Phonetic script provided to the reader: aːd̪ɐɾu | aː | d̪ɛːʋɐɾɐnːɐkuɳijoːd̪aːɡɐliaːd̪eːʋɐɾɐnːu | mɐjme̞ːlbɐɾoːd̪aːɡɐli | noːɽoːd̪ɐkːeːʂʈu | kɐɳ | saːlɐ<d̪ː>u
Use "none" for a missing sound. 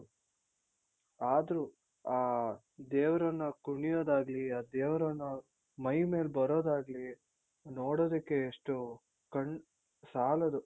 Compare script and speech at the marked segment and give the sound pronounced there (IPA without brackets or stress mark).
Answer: d̪